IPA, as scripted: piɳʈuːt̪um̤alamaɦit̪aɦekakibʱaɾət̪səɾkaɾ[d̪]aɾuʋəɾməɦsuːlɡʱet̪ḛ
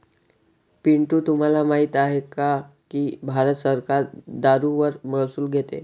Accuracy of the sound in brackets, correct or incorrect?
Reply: correct